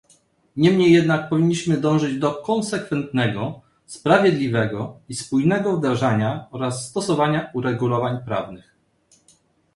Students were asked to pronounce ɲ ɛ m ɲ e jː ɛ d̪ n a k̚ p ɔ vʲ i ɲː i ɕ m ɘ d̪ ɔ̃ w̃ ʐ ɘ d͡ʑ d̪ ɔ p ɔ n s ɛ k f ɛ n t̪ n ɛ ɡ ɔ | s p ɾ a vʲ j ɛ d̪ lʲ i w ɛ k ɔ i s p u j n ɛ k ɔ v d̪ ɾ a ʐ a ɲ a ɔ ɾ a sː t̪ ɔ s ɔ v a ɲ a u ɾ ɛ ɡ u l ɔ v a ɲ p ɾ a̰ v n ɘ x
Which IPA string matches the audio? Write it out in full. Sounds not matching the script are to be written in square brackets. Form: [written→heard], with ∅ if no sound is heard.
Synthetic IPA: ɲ ɛ m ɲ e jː ɛ d̪ n a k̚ p ɔ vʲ i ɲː i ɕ m ɘ d̪ ɔ̃ w̃ ʐ ɘ d͡ʑ d̪ ɔ [p→k] ɔ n s ɛ k f ɛ n t̪ n ɛ ɡ ɔ | s p ɾ a vʲ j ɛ d̪ lʲ i [w→v] ɛ [k→ɡ] ɔ i s p u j n ɛ [k→ɡ] ɔ v d̪ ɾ a ʐ a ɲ a ɔ ɾ a sː t̪ ɔ s ɔ v a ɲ a u ɾ ɛ ɡ u l ɔ v a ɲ p ɾ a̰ v n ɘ x